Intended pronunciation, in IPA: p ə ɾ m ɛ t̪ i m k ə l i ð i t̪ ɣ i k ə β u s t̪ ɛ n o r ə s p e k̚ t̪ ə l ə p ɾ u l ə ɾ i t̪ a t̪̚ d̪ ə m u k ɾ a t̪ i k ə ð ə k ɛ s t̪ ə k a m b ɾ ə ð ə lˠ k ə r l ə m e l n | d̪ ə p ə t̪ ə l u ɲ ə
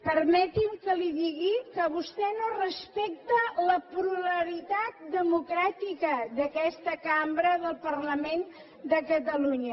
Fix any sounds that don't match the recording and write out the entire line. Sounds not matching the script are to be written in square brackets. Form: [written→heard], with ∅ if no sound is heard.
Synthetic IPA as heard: p ə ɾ m ɛ t̪ i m k ə l i ð i [t̪→∅] ɣ i k ə β u s t̪ ɛ n o r ə s p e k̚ t̪ ə l ə p ɾ u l ə ɾ i t̪ a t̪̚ d̪ ə m u k ɾ a t̪ i k ə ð ə k ɛ s t̪ ə k a m b ɾ ə ð ə lˠ [k→p] ə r l ə m e [l→∅] n | d̪ ə [p→k] ə t̪ ə l u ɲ ə